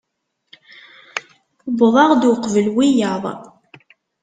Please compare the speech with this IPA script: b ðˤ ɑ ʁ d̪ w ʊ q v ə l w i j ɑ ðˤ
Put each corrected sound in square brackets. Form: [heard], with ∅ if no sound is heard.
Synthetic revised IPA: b ðˤ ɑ ʁ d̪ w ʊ q v ə l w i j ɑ ðˤ